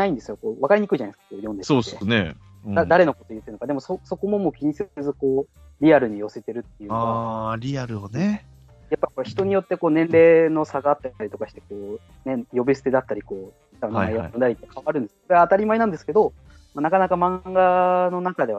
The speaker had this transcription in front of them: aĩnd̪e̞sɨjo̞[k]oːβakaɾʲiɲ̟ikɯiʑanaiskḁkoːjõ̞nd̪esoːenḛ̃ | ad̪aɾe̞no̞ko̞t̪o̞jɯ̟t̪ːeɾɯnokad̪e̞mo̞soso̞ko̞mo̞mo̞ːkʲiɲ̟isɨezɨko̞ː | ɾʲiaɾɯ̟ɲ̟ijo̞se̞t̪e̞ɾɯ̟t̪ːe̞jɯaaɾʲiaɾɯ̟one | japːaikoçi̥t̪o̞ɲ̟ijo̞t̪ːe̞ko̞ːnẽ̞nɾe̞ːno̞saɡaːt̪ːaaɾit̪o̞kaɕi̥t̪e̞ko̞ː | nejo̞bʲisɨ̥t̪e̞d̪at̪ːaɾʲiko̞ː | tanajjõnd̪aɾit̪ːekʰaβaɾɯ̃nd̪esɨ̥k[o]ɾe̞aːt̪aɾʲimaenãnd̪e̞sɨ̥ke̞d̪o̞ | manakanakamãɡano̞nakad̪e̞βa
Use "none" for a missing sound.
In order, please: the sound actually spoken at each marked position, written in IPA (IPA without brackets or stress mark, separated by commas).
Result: k, o